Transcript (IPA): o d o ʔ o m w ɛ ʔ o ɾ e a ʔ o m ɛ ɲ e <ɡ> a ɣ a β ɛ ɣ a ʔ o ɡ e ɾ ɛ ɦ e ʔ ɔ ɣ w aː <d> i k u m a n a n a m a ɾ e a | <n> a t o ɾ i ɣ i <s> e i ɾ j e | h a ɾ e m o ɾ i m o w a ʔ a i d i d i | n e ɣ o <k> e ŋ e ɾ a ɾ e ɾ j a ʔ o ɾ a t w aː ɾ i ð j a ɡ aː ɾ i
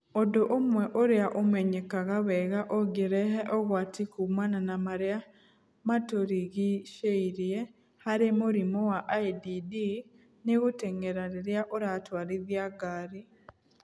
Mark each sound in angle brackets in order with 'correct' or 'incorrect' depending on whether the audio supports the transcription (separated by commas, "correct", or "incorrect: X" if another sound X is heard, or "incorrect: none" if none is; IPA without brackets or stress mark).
incorrect: k, incorrect: t, incorrect: m, incorrect: ʃ, incorrect: t